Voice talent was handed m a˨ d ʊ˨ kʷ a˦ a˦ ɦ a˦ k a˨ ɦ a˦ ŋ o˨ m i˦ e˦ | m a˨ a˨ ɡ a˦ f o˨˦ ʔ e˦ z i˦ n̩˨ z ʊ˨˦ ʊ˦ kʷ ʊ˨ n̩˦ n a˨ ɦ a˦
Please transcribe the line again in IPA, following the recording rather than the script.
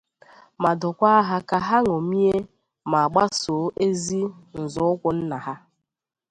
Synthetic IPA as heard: m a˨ d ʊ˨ kʷ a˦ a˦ ɦ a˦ k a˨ ɦ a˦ ŋ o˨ m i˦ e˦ | m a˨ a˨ ɡ͡b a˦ s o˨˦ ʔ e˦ z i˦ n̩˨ z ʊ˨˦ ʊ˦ kʷ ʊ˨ n̩˦ n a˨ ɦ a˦